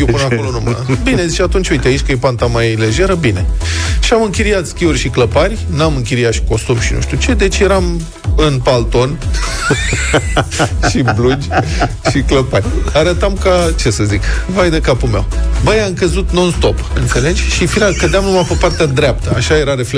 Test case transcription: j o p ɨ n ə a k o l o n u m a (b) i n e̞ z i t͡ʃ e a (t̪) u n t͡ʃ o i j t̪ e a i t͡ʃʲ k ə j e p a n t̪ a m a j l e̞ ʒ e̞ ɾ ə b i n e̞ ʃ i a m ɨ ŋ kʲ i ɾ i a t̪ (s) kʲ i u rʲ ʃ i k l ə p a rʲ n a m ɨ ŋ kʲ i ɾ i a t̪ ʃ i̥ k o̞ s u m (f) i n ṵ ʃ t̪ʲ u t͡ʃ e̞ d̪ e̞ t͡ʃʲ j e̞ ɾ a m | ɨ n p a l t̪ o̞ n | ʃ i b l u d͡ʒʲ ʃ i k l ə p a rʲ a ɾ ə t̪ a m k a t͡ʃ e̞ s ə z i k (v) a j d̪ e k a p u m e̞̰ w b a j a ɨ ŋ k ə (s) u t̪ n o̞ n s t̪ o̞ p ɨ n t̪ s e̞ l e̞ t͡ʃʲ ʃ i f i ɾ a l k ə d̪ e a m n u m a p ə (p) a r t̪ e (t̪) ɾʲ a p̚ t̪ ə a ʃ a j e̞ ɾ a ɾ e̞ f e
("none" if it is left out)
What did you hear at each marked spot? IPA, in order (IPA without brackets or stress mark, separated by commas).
b, t̪, s, ʃ, v, z, p, d̪